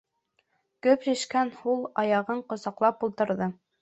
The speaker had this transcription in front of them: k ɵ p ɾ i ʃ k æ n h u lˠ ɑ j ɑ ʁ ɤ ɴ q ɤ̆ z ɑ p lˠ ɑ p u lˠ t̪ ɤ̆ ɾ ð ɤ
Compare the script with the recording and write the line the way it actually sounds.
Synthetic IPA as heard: k ɵ p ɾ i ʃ k æ n h u lˠ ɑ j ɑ ʁ ɤ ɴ q ŏ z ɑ q lˠ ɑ p u lˠ t̪ ɤ̆ ɾ ð ɤ